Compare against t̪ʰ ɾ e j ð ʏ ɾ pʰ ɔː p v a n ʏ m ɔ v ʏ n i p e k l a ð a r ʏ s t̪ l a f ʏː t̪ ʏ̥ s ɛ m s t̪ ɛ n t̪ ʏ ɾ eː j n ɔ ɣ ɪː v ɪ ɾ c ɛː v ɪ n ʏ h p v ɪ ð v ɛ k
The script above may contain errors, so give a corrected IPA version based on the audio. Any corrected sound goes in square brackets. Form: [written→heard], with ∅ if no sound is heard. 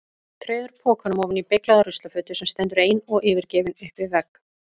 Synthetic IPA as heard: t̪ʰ ɾ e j ð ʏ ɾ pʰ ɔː [p→k] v a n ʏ m ɔ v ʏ n i p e k l a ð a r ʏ s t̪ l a f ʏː t̪ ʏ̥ s ɛ m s t̪ ɛ n t̪ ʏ ɾ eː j n ɔ ɣ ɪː v ɪ ɾ c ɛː v ɪ n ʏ h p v ɪ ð v ɛ k